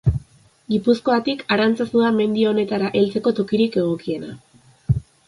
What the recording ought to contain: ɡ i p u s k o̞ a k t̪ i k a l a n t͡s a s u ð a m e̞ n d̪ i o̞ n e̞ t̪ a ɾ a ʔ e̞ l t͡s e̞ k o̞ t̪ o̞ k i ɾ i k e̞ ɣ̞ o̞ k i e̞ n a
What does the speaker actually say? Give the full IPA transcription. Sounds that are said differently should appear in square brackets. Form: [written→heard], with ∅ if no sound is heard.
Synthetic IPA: ɡ i p u s k o̞ a [k→∅] t̪ i k a [l→ɾ] a n t͡s a s u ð a m e̞ n d̪ i o̞ n e̞ t̪ a ɾ a ʔ e̞ l t͡s e̞ k o̞ t̪ o̞ k i ɾ i k e̞ ɣ̞ o̞ k i e̞ n a